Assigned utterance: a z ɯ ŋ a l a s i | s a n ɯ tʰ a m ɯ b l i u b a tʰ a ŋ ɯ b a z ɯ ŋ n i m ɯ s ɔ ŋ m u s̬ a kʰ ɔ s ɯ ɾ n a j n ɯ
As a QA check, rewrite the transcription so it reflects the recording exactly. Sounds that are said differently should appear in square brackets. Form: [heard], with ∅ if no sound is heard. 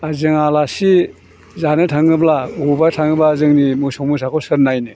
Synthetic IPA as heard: a z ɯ ŋ a l a s i | [z] a n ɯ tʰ a [ŋ] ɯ b l [a] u b a tʰ a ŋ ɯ b a z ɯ ŋ n i m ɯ s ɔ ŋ m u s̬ a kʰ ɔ s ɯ ɾ n a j n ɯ